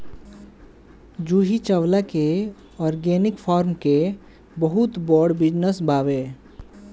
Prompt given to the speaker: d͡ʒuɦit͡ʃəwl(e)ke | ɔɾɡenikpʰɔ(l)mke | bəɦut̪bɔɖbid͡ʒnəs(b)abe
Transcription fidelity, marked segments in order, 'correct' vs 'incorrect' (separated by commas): incorrect, incorrect, correct